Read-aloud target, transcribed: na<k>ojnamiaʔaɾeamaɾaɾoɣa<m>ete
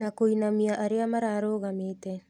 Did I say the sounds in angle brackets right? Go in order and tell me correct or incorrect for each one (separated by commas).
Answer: correct, correct